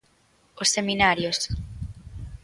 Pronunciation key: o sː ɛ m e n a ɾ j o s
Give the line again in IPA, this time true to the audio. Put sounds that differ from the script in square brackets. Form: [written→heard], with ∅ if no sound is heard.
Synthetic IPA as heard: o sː [ɛ→e] m [e→i] n a ɾ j o s